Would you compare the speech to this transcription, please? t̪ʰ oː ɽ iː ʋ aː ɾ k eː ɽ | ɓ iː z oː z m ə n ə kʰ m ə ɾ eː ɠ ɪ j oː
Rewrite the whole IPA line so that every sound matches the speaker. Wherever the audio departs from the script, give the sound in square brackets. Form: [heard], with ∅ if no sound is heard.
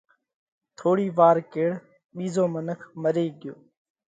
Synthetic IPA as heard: t̪ʰ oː ɽ iː ʋ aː ɾ k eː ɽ | ɓ iː z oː [∅] m ə n ə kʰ m ə ɾ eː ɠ ɪ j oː